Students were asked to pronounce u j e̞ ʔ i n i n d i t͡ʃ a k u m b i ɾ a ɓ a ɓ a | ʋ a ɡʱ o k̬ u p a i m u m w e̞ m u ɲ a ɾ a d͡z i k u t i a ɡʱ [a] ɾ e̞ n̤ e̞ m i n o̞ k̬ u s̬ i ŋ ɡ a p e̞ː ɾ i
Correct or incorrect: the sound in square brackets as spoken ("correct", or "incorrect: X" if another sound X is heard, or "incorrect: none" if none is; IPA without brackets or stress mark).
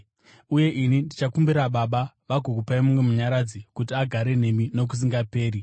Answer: correct